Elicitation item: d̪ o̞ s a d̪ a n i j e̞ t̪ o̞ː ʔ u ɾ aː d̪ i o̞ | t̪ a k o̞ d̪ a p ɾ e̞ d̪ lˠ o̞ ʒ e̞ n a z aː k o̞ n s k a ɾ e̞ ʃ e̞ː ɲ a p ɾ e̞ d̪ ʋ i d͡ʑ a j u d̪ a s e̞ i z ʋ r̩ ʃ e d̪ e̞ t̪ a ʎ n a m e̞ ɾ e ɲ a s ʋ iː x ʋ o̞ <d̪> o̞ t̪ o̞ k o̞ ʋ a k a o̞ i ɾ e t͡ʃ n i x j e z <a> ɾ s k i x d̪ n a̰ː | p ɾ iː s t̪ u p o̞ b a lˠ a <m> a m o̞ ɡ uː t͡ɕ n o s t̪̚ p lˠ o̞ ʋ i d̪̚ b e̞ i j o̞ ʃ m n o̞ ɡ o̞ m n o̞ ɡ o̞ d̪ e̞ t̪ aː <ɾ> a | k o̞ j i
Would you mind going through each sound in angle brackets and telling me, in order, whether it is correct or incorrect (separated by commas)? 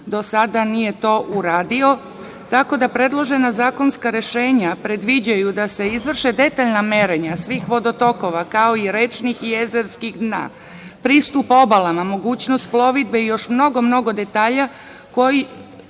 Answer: correct, incorrect, correct, incorrect